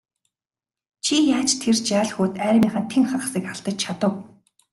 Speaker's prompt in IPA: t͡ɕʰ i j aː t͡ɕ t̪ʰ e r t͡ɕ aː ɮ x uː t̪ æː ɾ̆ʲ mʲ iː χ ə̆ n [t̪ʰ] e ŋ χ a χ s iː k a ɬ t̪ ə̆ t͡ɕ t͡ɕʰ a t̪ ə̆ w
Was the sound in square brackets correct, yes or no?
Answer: yes